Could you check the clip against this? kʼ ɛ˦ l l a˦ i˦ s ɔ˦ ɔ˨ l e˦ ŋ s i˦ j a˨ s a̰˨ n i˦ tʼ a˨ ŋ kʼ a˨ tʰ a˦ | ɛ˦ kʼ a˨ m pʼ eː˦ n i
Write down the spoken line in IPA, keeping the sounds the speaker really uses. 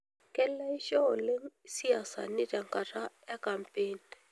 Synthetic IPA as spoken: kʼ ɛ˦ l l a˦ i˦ ʃ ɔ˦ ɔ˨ l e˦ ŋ s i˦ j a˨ s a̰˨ n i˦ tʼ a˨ ŋ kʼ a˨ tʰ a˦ | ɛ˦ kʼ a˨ m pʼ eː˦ n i